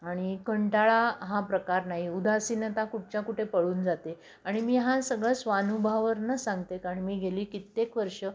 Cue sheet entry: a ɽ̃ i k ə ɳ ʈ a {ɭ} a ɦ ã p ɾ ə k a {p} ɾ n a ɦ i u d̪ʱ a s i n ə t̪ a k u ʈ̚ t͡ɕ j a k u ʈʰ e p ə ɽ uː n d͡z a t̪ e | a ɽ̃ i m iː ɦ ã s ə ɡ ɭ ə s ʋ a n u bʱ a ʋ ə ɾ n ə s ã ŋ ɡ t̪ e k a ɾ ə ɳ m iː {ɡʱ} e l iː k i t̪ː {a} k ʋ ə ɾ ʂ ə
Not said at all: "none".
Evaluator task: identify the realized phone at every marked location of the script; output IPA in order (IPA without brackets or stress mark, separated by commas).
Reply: ɭ, none, ɡʱ, e